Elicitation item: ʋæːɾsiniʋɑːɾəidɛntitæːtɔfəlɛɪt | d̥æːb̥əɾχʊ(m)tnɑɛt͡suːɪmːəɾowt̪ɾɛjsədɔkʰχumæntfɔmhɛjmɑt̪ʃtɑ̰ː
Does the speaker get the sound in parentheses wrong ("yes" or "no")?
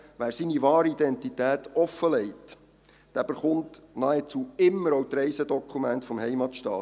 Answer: yes